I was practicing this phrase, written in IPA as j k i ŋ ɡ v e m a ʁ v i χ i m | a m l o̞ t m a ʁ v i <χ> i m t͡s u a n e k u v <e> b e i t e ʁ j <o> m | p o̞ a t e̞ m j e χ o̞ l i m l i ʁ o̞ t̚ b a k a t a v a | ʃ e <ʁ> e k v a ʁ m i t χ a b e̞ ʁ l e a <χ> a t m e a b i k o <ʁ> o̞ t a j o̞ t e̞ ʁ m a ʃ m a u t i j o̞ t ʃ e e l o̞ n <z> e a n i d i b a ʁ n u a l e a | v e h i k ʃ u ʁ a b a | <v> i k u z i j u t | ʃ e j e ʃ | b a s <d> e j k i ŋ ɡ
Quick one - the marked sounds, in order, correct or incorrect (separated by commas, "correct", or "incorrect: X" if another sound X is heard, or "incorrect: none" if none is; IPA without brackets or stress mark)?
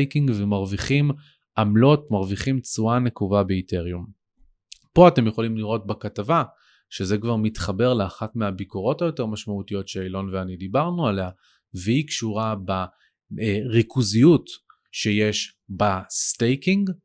correct, incorrect: a, incorrect: u, incorrect: z, correct, correct, incorrect: v, incorrect: ʁ, incorrect: t